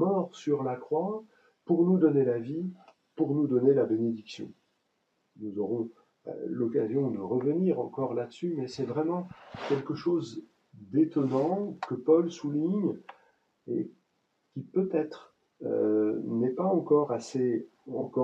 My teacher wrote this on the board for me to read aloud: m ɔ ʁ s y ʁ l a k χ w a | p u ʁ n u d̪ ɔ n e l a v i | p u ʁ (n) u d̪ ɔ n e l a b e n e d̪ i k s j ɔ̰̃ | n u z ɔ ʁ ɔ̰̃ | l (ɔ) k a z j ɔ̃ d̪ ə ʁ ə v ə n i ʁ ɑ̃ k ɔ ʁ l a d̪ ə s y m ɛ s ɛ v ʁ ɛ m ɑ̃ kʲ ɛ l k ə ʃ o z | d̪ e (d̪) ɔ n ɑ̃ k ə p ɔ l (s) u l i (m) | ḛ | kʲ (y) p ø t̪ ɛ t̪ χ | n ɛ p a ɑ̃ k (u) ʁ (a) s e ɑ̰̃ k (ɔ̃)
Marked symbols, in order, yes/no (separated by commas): yes, yes, no, yes, no, no, no, yes, no